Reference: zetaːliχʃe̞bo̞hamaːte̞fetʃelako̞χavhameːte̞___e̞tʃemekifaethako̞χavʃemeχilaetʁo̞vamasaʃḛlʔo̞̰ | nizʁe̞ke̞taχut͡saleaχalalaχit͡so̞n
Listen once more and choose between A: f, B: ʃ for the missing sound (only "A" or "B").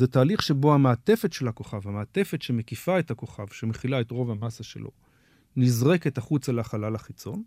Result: A